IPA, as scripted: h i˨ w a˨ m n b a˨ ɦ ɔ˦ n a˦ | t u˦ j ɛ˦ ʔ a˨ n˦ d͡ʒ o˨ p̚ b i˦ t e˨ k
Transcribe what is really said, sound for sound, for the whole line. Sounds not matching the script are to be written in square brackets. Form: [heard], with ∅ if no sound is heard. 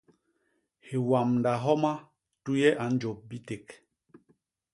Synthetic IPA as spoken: h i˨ w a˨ m n [d] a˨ ɦ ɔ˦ [m] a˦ | t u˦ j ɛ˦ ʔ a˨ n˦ d͡ʒ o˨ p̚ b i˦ t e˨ k